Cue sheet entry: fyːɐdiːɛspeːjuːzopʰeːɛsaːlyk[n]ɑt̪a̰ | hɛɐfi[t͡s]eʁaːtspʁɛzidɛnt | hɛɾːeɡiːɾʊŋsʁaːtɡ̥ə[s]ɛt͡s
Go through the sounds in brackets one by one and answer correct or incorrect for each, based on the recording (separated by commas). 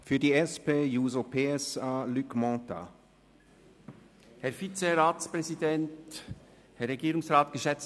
incorrect, correct, incorrect